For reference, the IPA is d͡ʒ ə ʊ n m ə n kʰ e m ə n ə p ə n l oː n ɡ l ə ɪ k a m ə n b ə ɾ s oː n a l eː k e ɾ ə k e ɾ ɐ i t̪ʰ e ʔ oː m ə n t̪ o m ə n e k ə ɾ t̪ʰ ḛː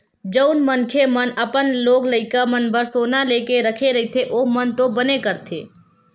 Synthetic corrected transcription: d͡ʒ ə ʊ n m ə n kʰ e m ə n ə p ə n l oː ɡ l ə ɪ k a m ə n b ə ɾ s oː n a l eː k e ɾ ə kʰ e ɾ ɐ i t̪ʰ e ʔ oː m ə n t̪ o b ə n e k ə ɾ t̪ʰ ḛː

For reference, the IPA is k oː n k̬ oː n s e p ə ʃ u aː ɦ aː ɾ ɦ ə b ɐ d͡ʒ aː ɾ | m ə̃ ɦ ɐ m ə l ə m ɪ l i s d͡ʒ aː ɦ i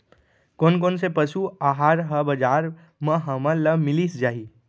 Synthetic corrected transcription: k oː n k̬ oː n s e p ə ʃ u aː ɦ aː ɾ ɦ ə b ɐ d͡ʒ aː ɾ | m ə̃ ɦ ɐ m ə l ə m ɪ l i s d͡ʒ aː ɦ i

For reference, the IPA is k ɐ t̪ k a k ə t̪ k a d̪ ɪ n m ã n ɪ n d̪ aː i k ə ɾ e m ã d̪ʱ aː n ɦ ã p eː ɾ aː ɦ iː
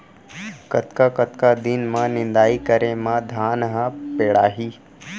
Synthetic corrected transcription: k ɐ t̪ k a k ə t̪ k a d̪ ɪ n m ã n ɪ n d̪ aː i k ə ɾ e m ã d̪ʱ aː n ɦ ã p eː ɽ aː ɦ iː

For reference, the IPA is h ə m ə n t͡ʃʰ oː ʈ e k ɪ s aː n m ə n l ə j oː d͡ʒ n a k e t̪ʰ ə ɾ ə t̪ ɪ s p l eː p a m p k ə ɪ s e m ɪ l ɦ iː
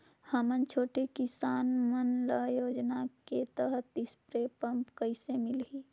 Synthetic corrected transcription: h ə m ə n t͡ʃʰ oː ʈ e k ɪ s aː n m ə n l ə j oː d͡ʒ n a k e t̪ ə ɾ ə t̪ ɪ s p ɾ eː p ə m p k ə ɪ s e m ɪ l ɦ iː

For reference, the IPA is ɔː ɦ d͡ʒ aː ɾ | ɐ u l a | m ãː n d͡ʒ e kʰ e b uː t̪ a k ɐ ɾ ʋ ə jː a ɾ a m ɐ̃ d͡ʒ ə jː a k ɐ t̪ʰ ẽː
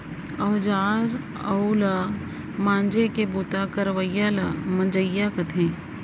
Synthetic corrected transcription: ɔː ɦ d͡ʒ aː ɾ | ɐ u l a | m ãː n d͡ʒ e k e b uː t̪ a k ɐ ɾ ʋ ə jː a l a m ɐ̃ d͡ʒ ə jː a k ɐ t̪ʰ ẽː

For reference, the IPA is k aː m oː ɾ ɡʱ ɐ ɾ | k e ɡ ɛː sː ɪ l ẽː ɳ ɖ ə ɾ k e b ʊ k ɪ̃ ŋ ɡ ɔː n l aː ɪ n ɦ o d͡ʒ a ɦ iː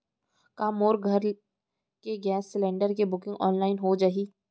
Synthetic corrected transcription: k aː m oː ɾ ɡʱ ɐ ɾ | k e ɡ ɛː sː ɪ l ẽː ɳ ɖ ə ɾ k e b ʊ k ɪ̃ ŋ ɡ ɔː n l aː ɪ n ɦ o d͡ʒ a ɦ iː

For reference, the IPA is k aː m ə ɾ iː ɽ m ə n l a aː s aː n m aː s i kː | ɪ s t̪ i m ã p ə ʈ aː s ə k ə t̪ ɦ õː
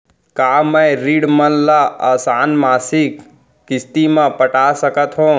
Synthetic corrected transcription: k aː m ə ɾ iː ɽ m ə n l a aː s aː n m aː s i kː | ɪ s t̪ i m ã p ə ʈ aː s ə k ə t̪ ɦ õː

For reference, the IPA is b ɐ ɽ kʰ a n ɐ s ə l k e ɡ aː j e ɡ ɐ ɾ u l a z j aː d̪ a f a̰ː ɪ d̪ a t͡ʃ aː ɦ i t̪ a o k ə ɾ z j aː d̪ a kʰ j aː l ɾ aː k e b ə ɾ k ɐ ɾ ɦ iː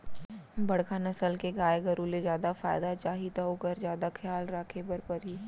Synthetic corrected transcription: b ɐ ɽ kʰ a n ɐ s ə l k e ɡ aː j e ɡ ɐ ɾ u l e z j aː d̪ a f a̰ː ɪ d̪ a t͡ʃ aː ɦ i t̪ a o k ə ɾ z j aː d̪ a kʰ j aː l ɾ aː kʰ e b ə ɾ p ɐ ɾ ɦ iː

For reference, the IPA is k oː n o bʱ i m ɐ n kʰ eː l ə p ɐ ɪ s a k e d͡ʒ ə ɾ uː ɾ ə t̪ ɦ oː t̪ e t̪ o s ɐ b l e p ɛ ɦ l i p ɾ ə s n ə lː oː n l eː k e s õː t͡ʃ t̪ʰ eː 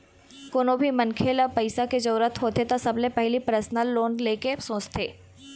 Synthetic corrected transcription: k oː n o bʱ i m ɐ n kʰ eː l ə p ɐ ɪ s a k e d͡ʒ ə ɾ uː ɾ ə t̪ ɦ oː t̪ e t̪ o s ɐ b l e p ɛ ɦ l i p ɾ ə s n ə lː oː n l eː k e s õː t͡ʃ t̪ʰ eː

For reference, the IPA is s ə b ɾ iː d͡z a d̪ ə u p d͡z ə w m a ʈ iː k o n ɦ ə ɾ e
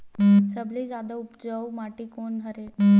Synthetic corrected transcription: s ə b l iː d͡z a d̪ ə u p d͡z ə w m a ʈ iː k o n ɦ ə ɾ e

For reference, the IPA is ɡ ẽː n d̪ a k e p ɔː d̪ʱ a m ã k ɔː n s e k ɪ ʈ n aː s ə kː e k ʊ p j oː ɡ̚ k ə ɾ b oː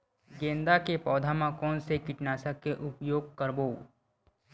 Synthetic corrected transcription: ɡ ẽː n d̪ a k e p ɔː d̪ʱ a m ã k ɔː n s e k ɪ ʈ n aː s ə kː e ʔ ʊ p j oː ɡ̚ k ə ɾ b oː

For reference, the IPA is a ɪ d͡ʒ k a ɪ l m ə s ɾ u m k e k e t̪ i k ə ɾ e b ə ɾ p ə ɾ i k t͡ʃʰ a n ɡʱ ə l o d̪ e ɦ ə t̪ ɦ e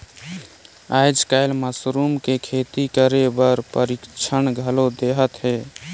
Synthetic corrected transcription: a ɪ d͡ʒ k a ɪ l m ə s ɾ u m k e kʰ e t̪ i k ə ɾ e b ə ɾ p ə ɾ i k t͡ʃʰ ə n ɡʱ ə l o d̪ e ɦ ə t̪ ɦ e

